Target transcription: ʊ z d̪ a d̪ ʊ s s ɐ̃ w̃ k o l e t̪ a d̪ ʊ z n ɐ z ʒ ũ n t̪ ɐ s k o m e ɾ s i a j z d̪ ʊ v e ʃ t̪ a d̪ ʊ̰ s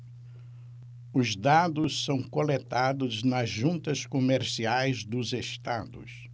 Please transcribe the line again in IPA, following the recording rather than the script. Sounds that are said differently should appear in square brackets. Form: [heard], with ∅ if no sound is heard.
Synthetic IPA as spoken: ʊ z d̪ a d̪ ʊ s s ɐ̃ w̃ k o l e t̪ a d̪ ʊ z n ɐ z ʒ ũ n t̪ ɐ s k o m e ɾ s i a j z d̪ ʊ [z] e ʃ t̪ a d̪ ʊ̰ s